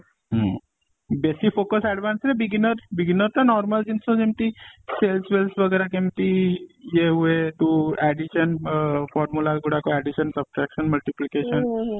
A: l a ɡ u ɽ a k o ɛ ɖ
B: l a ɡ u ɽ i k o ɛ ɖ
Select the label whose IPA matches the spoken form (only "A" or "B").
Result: A